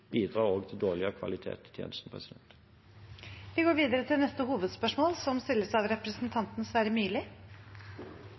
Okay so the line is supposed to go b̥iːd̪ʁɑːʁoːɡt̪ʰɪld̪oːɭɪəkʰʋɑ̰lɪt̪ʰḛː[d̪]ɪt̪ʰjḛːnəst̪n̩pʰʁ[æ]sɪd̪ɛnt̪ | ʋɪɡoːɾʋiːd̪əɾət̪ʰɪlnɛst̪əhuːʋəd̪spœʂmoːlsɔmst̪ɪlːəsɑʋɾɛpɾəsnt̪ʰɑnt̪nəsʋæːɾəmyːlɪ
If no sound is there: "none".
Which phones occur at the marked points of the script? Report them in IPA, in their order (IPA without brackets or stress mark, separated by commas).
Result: t̪, ɛ